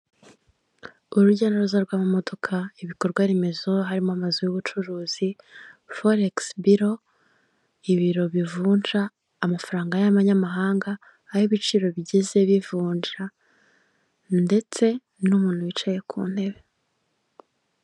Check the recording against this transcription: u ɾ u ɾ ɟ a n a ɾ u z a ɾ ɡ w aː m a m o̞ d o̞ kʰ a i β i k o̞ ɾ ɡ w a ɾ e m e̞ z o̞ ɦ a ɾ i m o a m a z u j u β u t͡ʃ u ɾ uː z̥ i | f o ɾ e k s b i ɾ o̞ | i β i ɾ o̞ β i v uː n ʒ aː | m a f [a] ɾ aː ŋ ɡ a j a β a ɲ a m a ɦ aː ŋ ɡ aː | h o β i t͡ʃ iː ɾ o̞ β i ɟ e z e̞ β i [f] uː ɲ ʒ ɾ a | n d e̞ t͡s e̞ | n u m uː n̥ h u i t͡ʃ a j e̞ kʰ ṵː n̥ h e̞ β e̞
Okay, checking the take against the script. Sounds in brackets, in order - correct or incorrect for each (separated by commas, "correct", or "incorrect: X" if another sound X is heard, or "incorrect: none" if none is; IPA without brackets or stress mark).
correct, incorrect: v